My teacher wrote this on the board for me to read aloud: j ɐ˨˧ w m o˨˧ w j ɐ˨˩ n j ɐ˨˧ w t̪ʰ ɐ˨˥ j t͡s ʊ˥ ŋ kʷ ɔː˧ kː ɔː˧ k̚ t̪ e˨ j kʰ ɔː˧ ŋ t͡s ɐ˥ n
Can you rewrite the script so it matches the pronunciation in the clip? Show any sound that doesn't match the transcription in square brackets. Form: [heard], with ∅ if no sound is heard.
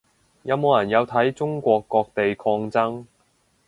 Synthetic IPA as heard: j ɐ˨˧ w m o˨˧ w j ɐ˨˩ n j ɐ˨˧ w t̪ʰ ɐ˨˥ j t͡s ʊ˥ ŋ kʷ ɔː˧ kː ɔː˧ k̚ t̪ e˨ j kʰ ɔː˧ ŋ t͡s ɐ˥ [ŋ]